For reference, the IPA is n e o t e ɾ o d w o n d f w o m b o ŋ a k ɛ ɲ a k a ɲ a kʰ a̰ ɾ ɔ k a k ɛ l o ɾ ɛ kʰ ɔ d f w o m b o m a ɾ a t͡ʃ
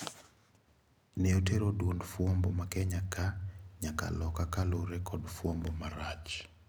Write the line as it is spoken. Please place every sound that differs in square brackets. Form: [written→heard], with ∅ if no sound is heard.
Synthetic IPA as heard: n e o t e ɾ o d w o n d f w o m b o [ŋ→m] a k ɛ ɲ a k a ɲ a [kʰ→k] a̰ [ɾ→l] ɔ k a k [ɛ→a] l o ɾ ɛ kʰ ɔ d f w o m b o m a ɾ a t͡ʃ